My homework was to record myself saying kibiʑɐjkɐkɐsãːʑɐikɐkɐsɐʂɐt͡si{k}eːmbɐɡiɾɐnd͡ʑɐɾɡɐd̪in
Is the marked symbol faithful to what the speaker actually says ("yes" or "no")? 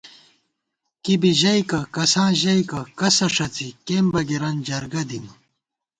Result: yes